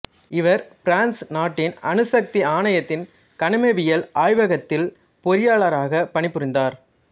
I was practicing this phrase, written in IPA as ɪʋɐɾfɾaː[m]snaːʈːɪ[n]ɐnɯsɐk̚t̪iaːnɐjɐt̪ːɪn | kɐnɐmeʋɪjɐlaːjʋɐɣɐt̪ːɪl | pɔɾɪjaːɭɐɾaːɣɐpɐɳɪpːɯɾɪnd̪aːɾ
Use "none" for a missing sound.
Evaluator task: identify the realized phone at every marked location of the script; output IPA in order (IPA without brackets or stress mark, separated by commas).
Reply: n, n